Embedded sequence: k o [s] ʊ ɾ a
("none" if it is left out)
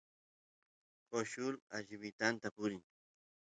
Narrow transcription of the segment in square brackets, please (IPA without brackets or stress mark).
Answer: ʃ